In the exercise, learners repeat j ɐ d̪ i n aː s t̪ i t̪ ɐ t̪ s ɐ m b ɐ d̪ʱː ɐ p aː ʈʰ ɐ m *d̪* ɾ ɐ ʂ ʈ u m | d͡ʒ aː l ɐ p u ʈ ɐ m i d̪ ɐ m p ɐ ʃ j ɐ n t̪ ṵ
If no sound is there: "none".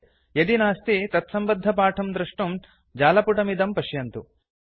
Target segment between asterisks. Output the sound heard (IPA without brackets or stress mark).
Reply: d̪